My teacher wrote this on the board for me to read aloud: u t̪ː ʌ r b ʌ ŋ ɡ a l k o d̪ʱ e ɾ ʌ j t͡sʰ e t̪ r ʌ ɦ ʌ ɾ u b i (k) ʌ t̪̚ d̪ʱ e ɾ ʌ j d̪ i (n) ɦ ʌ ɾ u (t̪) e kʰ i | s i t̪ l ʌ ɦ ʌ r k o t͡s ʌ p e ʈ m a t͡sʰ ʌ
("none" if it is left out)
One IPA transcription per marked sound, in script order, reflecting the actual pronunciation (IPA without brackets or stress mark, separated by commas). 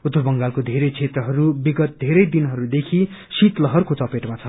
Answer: ɡ, n, d̪